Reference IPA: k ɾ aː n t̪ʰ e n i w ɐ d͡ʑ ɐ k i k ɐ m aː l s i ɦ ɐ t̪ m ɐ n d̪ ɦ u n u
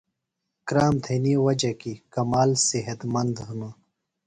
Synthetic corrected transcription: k ɾ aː m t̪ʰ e n i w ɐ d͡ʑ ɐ k i k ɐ m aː l s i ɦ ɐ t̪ m ɐ n d̪ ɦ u n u